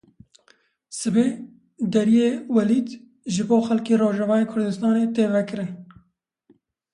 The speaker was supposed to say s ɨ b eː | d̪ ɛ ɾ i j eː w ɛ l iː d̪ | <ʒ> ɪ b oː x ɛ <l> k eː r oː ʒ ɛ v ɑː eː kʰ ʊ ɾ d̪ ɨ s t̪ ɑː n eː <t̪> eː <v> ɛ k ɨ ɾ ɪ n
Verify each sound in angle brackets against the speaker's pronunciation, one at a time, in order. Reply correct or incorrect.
correct, correct, correct, correct

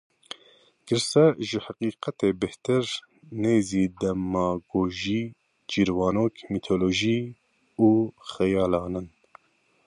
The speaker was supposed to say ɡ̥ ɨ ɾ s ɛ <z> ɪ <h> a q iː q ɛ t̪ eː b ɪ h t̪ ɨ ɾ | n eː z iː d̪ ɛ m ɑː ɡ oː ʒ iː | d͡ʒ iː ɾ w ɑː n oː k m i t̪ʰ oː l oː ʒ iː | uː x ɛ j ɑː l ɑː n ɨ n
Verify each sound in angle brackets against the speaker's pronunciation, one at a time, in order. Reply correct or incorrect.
incorrect: ʒ, correct

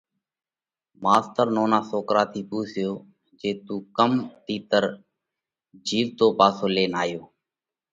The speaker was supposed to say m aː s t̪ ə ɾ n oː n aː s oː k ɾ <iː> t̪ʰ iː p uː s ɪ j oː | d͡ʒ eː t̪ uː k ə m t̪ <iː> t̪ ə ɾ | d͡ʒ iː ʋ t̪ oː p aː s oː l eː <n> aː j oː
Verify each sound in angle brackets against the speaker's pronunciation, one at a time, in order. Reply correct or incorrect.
incorrect: aː, correct, correct

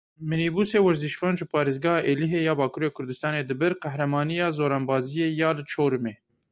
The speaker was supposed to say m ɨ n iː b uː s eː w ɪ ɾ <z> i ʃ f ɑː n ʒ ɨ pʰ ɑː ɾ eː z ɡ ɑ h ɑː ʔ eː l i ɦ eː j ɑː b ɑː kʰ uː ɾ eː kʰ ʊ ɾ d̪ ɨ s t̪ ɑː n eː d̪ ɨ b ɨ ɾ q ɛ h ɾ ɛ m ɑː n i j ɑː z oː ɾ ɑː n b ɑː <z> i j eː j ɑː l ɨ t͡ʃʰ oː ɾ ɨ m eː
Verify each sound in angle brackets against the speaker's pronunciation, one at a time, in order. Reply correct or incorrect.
correct, correct

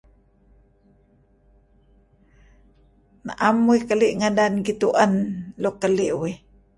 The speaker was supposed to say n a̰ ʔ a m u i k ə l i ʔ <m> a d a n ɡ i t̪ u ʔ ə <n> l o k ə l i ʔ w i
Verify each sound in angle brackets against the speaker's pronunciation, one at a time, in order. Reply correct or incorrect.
incorrect: ŋ, correct

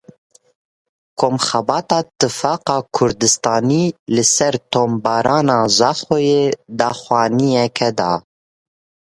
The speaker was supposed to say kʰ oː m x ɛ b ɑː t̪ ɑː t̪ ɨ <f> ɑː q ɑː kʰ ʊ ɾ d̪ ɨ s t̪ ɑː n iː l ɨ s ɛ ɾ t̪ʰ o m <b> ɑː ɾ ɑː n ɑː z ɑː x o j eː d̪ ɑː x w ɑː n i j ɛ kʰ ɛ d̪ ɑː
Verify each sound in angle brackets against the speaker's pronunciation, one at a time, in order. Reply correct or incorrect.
correct, correct

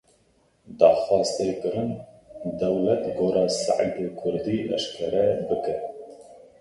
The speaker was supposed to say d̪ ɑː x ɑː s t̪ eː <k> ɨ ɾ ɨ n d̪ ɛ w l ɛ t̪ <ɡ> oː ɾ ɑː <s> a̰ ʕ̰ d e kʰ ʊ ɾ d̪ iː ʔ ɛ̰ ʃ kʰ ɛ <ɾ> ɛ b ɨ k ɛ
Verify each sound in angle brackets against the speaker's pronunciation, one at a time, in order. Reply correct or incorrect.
correct, correct, correct, correct

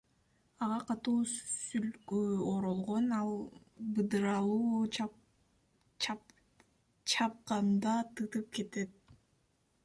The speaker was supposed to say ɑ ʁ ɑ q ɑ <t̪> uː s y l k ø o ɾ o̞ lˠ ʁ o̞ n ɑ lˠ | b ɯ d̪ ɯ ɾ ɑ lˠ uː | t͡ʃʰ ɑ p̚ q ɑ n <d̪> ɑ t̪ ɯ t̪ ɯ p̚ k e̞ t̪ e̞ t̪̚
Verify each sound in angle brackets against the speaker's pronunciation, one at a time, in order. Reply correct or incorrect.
correct, correct

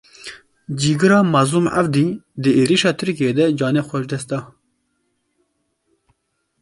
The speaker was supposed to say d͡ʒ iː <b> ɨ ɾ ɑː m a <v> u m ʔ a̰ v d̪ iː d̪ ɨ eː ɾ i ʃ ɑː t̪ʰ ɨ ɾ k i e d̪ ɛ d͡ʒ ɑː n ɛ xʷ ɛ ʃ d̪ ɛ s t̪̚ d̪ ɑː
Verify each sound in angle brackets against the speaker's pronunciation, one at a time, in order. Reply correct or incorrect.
incorrect: ɡ, incorrect: z

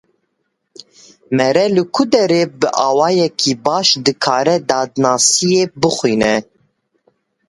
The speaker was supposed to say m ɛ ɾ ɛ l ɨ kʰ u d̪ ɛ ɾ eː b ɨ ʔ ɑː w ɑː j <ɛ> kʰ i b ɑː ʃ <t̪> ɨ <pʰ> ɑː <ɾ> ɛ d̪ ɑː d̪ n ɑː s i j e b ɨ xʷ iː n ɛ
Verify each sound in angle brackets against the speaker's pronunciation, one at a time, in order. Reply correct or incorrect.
correct, incorrect: d̪, incorrect: kʰ, correct

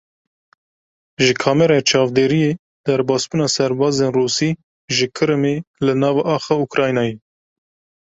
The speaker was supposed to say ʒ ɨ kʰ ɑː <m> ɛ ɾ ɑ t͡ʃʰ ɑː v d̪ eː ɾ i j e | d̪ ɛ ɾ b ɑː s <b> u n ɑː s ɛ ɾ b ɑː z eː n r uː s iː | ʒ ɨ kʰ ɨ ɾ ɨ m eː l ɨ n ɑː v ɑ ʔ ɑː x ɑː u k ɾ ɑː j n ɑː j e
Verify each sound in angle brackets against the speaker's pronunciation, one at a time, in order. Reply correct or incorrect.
correct, correct

